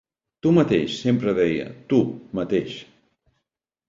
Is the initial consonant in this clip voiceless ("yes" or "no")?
yes